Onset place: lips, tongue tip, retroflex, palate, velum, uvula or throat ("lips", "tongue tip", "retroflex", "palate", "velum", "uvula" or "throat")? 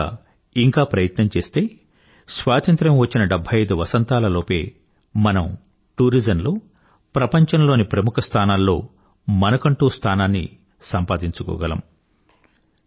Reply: velum